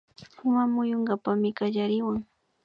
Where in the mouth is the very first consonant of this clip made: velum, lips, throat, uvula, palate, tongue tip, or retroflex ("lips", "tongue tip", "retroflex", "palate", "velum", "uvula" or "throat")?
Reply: lips